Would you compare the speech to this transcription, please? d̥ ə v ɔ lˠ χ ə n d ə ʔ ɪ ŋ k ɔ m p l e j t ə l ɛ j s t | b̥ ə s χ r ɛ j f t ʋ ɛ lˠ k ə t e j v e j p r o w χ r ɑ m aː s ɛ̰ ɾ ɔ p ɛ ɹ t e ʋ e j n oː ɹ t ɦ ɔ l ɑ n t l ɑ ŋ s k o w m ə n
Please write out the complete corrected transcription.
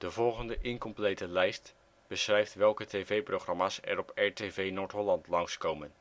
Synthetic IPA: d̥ ə v ɔ lˠ χ ə n d ə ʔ ɪ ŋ k ɔ m p l e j t ə l ɛ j s t | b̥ ə s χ r ɛ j f t ʋ ɛ lˠ k ə t e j v e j p r o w χ r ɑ m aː s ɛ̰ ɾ ɔ p ɛ ɹ t e v e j n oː ɹ t ɦ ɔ l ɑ n t l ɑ ŋ s k o w m ə n